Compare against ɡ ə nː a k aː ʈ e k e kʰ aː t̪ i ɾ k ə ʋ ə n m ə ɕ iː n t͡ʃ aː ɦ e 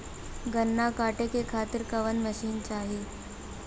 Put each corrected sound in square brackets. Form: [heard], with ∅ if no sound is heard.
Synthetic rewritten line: ɡ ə nː a k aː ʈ e k e kʰ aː t̪ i ɾ k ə ʋ ə n m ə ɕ iː n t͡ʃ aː ɦ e